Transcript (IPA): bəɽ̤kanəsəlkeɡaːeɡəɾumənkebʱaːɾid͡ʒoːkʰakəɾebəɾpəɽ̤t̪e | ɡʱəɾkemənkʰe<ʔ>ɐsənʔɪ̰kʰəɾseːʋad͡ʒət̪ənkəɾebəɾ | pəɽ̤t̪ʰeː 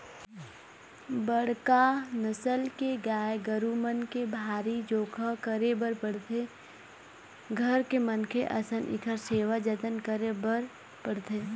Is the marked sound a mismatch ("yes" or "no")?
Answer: no